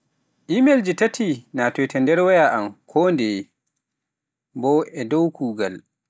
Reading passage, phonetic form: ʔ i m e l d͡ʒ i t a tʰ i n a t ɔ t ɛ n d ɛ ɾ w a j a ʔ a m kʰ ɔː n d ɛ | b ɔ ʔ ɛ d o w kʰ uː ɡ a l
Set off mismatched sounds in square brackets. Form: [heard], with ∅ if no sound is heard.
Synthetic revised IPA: ʔ i m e l d͡ʒ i t a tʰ i n a t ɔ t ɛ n d ɛ ɾ w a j a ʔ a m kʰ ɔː n d ɛ | b ɔ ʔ ɛ d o w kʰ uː ɡ a l